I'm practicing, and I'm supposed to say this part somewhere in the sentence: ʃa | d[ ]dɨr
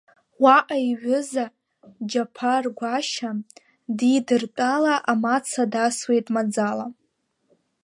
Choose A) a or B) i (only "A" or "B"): B